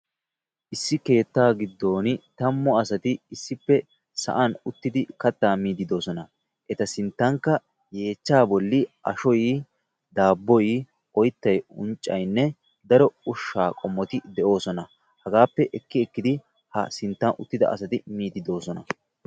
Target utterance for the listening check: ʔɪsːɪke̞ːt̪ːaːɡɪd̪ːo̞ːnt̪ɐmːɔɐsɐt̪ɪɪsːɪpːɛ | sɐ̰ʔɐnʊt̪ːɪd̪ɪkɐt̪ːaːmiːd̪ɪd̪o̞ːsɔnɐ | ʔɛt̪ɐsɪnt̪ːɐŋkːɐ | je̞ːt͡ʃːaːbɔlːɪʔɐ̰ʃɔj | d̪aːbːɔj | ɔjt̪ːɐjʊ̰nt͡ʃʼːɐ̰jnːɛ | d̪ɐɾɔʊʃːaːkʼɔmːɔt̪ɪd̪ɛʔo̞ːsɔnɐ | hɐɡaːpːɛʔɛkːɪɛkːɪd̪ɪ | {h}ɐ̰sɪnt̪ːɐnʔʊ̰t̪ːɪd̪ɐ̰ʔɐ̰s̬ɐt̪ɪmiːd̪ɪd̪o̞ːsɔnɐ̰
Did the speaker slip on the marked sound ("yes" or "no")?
no